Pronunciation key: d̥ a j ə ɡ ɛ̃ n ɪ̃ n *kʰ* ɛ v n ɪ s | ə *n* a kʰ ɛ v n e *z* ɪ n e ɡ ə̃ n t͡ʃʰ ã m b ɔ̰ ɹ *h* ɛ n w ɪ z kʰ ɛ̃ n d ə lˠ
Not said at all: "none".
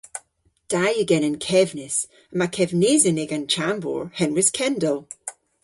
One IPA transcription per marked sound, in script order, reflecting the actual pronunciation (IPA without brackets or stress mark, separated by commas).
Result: kʰ, m, z, h